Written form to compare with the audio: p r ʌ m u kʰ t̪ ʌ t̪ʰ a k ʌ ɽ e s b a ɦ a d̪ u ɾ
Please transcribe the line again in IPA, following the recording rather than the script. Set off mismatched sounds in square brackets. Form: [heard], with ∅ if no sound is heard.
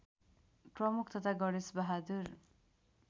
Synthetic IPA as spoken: p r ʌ m u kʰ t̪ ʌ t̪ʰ a [ɡ] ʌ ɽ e s b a ɦ a d̪ u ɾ